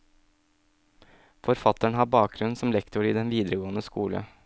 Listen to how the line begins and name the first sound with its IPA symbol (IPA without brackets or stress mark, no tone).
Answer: f